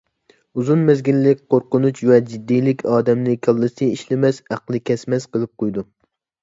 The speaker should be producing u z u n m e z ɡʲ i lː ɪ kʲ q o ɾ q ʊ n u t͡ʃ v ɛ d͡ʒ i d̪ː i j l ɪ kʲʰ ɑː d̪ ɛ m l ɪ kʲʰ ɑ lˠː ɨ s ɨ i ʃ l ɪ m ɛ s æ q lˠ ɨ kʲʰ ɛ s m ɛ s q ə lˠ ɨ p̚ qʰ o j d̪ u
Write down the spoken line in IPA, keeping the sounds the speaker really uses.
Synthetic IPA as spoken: u z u n m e z ɡʲ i lː ɪ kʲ q o ɾ q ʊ n u t͡ʃ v ɛ d͡ʒ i d̪ː i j l ɪ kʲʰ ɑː d̪ ɛ m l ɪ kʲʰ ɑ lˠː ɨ s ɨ i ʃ l ɪ m ɛ s æ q lˠ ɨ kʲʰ ɛ s m ɛ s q ə lˠ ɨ p̚ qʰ o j d̪ u